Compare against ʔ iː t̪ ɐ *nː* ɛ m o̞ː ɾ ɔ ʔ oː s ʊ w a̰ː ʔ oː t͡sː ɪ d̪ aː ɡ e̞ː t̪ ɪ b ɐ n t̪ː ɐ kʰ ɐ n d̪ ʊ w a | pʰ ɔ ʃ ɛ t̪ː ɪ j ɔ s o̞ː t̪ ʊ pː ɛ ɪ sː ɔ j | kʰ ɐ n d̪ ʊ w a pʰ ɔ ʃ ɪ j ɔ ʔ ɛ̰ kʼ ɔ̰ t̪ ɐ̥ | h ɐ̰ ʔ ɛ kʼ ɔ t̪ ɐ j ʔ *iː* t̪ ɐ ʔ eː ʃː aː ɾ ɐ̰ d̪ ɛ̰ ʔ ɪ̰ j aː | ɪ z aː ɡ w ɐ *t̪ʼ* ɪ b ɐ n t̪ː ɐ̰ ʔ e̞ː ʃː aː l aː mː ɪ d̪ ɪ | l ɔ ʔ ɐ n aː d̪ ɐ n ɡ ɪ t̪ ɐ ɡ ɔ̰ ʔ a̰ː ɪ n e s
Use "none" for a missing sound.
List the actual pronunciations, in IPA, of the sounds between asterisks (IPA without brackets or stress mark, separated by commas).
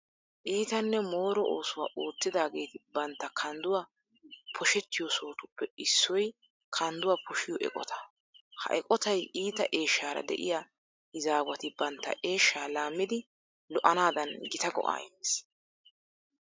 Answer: nː, iː, t̪